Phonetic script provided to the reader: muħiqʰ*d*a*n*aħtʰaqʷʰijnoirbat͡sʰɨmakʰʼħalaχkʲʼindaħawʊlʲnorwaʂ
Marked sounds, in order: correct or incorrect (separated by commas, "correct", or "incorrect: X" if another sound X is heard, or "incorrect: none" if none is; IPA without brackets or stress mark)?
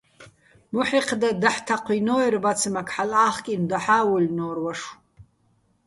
correct, incorrect: d